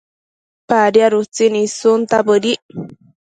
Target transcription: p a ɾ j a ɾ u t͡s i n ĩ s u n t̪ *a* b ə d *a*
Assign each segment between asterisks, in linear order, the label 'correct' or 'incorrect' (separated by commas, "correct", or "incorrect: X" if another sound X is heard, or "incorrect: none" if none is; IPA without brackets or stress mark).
correct, incorrect: i